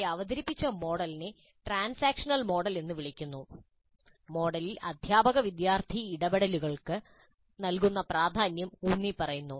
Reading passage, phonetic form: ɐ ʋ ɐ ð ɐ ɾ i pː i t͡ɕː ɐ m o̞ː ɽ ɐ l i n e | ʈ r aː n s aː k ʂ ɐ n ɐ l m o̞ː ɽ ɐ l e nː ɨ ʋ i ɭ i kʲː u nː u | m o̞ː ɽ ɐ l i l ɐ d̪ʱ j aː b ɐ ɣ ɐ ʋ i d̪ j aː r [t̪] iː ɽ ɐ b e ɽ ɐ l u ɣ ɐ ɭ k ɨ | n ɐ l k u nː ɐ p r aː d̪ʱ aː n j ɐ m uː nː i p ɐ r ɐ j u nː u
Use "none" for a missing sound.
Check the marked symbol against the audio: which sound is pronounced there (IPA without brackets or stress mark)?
t̪ʰ